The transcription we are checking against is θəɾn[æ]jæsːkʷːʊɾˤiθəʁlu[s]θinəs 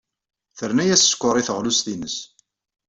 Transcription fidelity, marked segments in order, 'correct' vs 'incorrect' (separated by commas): correct, correct